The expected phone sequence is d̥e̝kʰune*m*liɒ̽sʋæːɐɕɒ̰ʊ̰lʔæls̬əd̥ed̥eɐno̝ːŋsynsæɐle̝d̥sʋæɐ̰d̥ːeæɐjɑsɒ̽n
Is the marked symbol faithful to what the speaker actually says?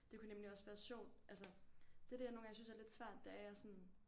yes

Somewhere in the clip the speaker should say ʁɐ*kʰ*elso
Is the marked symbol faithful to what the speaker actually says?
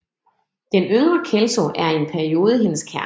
yes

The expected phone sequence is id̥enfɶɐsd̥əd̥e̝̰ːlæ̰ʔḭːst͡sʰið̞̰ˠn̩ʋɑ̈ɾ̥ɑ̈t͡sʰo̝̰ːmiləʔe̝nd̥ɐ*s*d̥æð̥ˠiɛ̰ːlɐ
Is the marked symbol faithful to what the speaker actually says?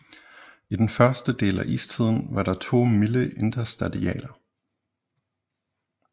yes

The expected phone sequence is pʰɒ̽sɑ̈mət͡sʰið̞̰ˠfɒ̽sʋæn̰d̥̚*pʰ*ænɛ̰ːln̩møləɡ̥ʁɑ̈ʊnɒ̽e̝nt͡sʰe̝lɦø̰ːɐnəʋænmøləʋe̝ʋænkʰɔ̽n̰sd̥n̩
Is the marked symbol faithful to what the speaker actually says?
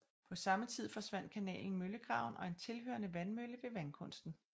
no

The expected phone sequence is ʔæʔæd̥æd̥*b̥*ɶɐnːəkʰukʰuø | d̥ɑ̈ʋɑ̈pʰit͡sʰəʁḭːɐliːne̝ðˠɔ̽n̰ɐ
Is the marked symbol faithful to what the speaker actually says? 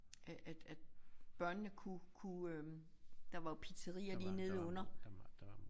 yes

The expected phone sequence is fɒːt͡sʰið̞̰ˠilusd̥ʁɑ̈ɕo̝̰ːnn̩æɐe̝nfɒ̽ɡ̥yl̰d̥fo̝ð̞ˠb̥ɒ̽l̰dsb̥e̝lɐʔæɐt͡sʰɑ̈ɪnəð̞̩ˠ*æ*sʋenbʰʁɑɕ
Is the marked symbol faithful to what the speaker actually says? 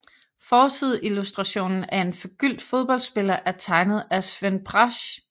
yes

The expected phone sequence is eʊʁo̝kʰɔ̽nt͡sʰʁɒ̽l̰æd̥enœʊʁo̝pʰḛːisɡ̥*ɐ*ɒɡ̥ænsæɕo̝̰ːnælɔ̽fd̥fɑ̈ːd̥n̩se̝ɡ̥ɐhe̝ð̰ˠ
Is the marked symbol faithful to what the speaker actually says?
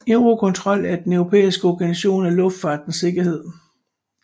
no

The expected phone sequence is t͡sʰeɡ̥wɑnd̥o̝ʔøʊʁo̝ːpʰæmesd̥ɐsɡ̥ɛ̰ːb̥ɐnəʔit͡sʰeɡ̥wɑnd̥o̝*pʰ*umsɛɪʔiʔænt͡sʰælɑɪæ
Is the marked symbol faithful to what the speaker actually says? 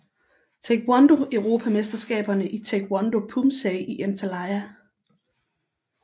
yes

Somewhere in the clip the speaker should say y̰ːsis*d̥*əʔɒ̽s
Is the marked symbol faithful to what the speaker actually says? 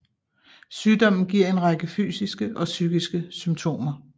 no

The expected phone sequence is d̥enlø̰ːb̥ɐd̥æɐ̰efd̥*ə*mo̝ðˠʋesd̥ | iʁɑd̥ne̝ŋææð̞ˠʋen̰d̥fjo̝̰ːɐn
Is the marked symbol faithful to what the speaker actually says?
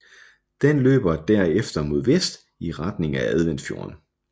no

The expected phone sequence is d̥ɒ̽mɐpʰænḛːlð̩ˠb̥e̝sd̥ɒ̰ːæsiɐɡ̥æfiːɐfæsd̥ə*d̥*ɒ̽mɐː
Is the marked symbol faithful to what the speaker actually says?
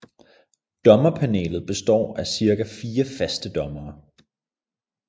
yes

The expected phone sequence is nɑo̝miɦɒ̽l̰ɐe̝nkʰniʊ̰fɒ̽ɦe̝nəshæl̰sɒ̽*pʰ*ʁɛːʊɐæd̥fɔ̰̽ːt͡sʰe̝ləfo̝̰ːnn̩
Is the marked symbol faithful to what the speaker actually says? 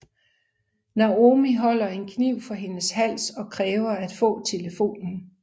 no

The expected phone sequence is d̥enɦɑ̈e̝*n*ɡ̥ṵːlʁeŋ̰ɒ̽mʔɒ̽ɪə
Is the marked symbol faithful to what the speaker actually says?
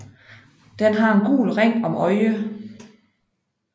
yes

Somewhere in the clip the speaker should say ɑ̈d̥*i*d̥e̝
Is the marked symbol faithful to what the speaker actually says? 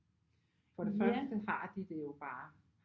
yes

